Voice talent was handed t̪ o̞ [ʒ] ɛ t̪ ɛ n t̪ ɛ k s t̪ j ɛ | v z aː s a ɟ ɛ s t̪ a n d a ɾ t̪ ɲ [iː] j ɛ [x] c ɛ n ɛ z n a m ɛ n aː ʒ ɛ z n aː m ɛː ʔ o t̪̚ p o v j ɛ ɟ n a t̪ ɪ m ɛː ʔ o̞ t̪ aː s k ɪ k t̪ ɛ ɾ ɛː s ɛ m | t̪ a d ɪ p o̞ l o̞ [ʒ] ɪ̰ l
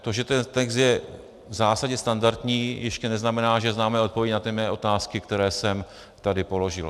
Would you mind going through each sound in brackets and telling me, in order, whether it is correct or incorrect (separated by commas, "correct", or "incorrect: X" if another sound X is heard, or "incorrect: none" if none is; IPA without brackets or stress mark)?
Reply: correct, correct, incorrect: ʃ, correct